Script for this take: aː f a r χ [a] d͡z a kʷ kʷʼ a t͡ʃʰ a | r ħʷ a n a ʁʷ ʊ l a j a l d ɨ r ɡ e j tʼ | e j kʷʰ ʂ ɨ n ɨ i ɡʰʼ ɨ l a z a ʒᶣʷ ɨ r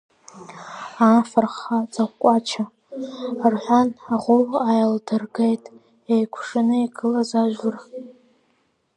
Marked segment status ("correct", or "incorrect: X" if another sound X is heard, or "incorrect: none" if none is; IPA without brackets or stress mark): correct